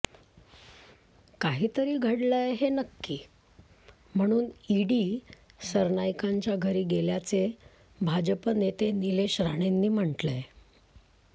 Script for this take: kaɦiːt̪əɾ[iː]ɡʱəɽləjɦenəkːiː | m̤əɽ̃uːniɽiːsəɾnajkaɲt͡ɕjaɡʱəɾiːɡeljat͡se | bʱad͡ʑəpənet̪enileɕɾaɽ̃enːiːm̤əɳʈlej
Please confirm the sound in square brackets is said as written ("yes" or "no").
yes